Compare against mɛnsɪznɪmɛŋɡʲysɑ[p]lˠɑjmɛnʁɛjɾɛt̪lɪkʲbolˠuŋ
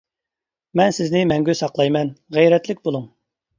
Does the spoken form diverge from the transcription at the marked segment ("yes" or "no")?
yes